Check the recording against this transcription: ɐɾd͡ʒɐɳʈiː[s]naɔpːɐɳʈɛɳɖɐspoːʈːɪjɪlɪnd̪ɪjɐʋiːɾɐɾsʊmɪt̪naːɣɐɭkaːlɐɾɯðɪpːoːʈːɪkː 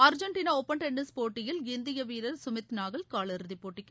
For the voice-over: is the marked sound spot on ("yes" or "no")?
no